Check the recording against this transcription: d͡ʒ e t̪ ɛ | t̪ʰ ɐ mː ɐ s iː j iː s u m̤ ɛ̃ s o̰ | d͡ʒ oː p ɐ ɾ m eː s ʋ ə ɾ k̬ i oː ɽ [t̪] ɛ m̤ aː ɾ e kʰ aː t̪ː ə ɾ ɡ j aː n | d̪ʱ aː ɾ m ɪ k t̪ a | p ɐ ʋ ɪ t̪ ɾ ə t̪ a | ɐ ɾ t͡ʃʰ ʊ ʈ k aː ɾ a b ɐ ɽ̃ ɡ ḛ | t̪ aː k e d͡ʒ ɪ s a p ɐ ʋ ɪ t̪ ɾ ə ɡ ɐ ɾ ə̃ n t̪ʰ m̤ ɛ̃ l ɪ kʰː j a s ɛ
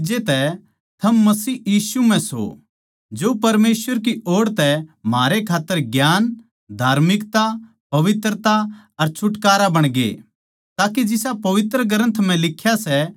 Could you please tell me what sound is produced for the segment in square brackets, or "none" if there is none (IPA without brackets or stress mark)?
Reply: t̪